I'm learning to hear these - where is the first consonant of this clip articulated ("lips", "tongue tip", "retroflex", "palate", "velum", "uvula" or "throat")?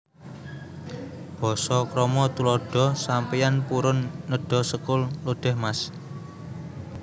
lips